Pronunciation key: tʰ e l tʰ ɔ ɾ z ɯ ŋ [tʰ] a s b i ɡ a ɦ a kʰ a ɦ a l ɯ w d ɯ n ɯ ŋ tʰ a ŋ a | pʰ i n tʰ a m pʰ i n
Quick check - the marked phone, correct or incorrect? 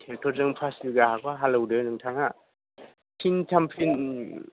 incorrect: pʰ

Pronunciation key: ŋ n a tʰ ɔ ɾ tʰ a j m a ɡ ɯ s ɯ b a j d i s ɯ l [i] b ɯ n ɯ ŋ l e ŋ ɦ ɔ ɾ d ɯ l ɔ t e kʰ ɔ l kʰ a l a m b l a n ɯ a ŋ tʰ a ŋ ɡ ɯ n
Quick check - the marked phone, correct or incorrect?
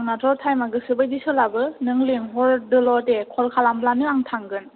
incorrect: a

